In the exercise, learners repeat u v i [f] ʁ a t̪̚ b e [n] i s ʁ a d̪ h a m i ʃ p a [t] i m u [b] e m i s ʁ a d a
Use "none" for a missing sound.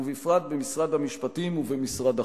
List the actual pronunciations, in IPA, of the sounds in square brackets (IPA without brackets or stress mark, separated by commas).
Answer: f, m, t, v